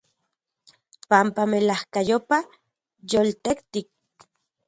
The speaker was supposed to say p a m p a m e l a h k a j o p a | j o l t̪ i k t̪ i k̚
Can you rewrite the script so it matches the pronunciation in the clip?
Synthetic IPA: p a m p a m e l a h k a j o p a | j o l t̪ e k t̪ i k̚